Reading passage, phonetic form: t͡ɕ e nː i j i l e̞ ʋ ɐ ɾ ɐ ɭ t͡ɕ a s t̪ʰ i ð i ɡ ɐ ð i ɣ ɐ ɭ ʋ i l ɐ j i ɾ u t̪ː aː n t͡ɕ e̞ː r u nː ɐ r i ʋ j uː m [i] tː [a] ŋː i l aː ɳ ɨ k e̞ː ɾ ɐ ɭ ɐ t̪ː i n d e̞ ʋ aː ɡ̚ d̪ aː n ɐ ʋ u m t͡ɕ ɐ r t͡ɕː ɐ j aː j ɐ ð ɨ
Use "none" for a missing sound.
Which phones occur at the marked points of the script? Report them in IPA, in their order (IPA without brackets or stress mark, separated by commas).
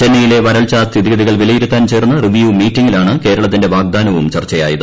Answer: iː, i